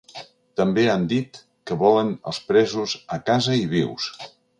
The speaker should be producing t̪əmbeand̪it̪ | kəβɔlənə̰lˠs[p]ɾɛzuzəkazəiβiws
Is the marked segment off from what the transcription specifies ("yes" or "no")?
no